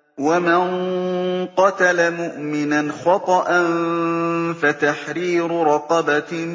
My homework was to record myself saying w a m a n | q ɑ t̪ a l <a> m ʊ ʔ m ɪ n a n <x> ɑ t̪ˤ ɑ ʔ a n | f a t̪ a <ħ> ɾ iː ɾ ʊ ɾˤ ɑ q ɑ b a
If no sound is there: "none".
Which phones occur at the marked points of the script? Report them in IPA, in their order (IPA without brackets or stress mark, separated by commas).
a, x, ħ